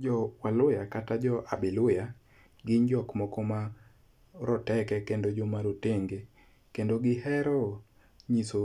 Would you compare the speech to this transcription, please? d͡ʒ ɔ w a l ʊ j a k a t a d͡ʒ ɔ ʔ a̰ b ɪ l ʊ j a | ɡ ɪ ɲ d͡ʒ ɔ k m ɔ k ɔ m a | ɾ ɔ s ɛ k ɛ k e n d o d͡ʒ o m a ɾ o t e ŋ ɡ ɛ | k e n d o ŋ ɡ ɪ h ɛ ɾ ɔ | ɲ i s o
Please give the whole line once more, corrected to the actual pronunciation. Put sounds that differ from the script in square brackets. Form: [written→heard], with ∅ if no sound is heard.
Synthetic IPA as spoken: d͡ʒ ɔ w a l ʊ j a k a t a d͡ʒ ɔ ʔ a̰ b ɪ l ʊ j a | ɡ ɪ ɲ d͡ʒ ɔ k m ɔ k ɔ m a | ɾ ɔ [s→t] ɛ k ɛ k e n d o d͡ʒ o m a ɾ o t e ŋ ɡ [ɛ→e] | k e n d o [ŋ→∅] ɡ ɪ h ɛ ɾ ɔ | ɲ i s o